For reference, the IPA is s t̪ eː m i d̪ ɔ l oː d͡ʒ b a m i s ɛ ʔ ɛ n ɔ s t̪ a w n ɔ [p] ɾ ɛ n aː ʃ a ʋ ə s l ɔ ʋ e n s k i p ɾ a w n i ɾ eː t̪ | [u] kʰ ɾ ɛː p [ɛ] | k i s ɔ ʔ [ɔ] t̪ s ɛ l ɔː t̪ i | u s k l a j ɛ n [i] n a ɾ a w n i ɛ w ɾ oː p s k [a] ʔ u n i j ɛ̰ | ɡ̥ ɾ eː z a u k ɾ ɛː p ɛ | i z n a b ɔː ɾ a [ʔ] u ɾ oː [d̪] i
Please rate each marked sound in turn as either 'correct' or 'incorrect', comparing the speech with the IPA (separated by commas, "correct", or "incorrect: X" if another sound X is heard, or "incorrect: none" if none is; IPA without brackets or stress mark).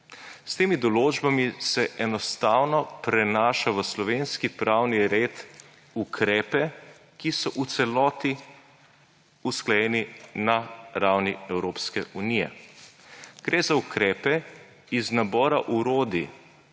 correct, correct, correct, incorrect: u, correct, incorrect: ɛ, correct, correct